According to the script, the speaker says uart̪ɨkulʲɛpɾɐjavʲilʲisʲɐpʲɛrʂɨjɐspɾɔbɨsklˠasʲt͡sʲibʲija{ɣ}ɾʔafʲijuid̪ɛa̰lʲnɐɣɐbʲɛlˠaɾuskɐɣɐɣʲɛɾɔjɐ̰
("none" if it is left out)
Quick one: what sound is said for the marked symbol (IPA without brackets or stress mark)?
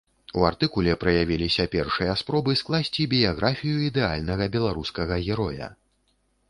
ɣ